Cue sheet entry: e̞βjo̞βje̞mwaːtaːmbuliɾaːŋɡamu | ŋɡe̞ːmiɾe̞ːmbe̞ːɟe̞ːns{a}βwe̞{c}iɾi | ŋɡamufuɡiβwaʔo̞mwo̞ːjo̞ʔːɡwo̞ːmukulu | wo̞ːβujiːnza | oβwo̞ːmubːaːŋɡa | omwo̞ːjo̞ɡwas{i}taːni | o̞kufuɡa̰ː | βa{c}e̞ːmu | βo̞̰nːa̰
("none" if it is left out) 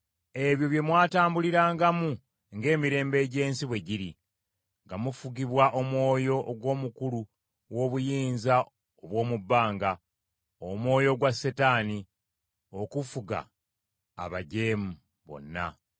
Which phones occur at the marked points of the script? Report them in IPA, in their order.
i, ɟ, e, ɟ

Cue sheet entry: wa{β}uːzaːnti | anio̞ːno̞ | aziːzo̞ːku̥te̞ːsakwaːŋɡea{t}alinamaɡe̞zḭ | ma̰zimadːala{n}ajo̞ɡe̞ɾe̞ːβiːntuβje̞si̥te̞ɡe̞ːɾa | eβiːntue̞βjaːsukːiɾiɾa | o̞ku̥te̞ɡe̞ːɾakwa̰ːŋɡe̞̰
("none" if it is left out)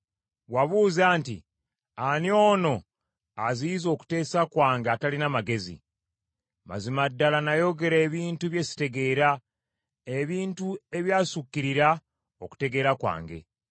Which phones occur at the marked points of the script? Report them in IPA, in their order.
β, t, n

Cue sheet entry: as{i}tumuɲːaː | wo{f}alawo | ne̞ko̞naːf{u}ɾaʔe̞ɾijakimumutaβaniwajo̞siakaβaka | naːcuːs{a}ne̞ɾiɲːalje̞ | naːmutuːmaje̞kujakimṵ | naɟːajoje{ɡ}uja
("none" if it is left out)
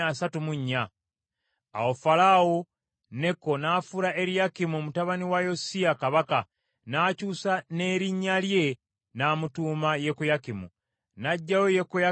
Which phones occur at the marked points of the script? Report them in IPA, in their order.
a, f, u, a, k

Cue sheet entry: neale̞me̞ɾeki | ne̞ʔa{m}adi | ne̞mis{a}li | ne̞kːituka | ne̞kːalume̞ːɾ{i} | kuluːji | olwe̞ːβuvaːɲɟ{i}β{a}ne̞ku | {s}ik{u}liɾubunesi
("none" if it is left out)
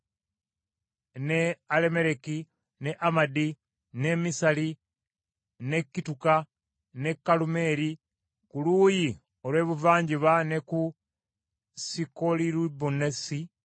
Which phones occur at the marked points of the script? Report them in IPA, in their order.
m, a, i, i, a, s, o

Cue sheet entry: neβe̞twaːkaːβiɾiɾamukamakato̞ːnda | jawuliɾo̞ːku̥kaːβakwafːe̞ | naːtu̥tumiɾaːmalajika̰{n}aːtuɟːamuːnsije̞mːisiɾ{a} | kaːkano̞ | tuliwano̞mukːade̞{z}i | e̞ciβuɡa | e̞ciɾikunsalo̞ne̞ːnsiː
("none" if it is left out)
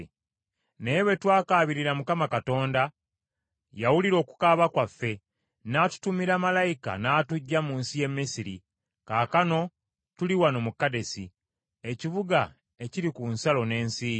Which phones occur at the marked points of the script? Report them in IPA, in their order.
n, i, s

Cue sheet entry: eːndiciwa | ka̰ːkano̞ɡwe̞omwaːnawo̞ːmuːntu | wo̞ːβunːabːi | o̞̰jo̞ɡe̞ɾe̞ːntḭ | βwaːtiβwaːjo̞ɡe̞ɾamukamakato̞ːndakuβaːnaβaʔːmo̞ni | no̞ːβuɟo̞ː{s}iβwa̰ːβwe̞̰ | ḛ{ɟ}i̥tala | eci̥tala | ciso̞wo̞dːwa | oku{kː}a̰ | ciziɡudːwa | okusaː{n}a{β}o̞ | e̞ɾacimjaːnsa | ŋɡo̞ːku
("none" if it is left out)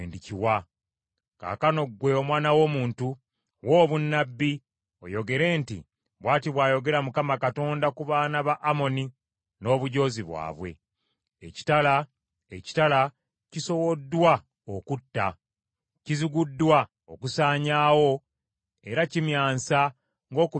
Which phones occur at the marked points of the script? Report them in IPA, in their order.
z, c, tː, ɲ, w

